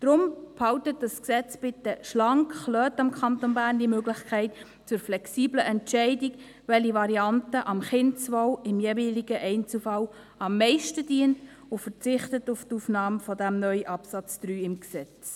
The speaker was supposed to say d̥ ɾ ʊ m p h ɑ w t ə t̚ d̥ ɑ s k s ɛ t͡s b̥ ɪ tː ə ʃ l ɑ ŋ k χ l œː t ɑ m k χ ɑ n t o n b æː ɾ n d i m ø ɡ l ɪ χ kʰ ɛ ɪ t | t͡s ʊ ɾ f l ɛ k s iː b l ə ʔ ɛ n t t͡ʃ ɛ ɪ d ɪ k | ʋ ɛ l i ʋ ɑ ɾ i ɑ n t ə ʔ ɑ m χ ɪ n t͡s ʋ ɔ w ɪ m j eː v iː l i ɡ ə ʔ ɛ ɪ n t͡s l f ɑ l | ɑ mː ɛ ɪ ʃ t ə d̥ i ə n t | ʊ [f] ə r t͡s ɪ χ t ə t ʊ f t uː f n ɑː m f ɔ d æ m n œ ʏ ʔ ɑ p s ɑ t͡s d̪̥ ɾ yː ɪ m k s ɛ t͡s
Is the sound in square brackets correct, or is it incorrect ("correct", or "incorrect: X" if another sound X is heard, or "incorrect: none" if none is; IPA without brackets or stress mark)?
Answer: correct